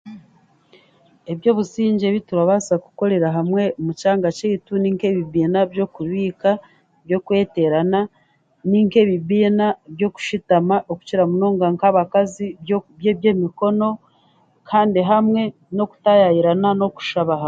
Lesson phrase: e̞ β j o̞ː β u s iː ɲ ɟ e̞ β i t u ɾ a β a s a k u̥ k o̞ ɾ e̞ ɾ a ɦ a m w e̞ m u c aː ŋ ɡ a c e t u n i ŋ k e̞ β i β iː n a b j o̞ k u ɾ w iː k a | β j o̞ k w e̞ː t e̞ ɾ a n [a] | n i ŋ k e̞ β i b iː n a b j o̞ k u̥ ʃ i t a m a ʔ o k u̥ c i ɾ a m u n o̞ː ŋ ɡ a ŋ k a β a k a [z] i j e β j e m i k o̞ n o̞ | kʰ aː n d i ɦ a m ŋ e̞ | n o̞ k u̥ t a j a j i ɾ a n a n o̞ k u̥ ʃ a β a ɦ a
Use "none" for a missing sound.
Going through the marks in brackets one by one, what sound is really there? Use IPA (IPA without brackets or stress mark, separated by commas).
a, z